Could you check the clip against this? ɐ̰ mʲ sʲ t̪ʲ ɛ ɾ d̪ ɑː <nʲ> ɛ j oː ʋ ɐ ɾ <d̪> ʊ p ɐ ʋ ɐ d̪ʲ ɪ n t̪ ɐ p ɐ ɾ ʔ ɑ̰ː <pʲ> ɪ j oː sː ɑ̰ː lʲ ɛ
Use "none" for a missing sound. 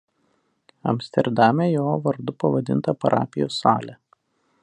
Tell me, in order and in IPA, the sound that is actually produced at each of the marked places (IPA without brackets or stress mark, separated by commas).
mʲ, d̪, pʲ